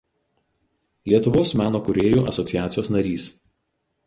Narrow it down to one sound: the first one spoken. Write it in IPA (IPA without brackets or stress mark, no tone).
lʲ